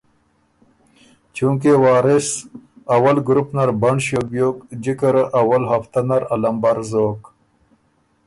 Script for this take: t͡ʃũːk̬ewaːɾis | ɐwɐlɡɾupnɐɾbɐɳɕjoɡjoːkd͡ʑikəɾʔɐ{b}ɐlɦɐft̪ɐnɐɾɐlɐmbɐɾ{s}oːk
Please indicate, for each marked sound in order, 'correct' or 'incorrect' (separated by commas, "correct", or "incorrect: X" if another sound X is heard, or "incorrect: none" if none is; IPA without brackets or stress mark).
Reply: incorrect: w, incorrect: z